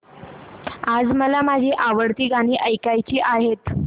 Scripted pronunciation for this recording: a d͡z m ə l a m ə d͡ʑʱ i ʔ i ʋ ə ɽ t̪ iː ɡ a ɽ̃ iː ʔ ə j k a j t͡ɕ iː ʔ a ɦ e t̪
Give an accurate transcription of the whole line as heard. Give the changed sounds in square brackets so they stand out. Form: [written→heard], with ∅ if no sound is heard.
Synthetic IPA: a d͡z m ə l a m [ə→a] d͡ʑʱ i ʔ [i→a] ʋ ə ɽ t̪ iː ɡ a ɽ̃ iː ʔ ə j k a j t͡ɕ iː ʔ a ɦ e t̪